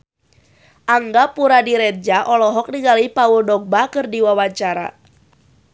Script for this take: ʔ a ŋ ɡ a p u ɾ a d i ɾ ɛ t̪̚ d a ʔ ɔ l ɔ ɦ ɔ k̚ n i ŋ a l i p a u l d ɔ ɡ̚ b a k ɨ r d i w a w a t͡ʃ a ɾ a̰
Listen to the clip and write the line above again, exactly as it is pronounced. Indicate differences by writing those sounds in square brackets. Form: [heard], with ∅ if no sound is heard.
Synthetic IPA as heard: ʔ a ŋ ɡ a p u ɾ a d i ɾ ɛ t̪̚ [d͡ʒ] a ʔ ɔ l ɔ ɦ ɔ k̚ n i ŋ a l i p a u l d ɔ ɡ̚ b a k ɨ r d i w a w a t͡ʃ a ɾ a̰